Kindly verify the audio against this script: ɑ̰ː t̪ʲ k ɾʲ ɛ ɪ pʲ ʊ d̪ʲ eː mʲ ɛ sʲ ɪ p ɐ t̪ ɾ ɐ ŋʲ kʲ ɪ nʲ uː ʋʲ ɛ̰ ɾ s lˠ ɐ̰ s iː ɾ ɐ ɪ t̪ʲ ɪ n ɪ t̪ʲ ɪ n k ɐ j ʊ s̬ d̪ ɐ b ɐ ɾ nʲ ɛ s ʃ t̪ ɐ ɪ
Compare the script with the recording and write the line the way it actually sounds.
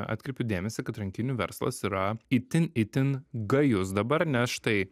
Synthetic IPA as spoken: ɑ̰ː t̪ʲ k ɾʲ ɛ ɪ pʲ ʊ d̪ʲ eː mʲ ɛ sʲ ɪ k ɐ t̪ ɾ ɐ ŋʲ kʲ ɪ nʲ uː ʋʲ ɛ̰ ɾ s lˠ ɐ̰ s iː ɾ ɐ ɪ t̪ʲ ɪ n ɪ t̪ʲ ɪ n ɡ ɐ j ʊ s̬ d̪ ɐ b ɐ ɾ nʲ ɛ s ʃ t̪ ɐ ɪ